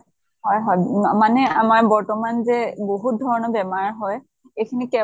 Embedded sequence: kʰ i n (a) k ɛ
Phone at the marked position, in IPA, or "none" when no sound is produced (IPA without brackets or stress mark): i